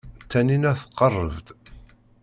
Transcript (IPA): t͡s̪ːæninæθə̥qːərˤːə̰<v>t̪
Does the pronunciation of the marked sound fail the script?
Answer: no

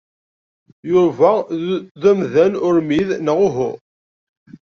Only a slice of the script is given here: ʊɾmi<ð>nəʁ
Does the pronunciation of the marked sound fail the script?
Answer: no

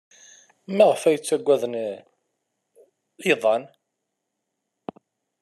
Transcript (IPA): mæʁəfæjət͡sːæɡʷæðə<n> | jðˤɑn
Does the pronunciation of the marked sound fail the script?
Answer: no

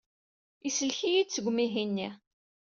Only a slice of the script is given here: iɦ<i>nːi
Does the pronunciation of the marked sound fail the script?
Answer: no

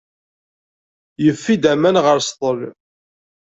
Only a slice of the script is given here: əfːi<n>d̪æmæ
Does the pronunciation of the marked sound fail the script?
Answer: yes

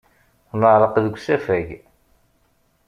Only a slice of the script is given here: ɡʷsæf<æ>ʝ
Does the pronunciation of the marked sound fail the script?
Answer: no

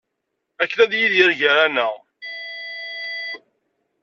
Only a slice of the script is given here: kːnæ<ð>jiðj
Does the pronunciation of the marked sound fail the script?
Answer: no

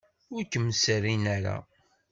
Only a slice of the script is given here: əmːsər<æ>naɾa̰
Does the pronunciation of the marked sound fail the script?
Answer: yes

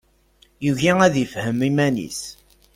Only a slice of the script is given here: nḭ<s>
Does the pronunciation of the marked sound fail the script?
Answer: no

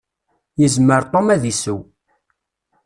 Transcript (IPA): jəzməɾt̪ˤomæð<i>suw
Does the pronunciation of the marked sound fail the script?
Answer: no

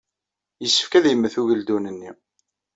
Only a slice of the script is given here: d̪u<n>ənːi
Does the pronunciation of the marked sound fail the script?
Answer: no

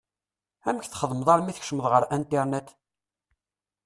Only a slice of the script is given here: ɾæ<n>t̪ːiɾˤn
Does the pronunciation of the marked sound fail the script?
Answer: no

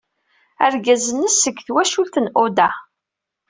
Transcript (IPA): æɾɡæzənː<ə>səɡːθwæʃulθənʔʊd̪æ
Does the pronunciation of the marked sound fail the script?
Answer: no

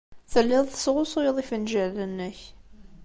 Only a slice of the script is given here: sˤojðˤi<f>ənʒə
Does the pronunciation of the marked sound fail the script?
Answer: no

